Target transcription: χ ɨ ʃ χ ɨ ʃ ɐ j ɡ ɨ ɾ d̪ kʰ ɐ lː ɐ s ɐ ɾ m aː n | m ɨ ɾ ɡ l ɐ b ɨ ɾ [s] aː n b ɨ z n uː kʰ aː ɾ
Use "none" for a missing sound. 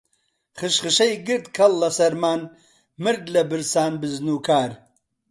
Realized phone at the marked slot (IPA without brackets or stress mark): s